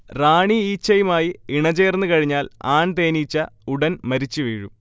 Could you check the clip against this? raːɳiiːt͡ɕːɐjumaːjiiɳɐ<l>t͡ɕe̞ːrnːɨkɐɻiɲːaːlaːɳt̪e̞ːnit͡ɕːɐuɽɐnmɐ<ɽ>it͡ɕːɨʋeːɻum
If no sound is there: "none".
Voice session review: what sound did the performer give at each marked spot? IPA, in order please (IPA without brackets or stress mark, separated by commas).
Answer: none, ɾ